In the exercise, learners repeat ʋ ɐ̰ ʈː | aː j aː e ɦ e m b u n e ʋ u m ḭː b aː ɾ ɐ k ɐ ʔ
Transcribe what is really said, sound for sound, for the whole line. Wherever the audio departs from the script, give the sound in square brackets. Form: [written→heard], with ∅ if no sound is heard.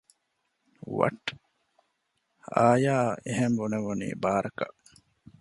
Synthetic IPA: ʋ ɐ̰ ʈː | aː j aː e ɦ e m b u n e ʋ u [m→n] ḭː b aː ɾ ɐ k ɐ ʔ